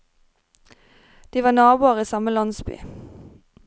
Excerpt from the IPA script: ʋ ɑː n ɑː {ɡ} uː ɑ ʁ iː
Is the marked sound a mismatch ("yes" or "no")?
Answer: yes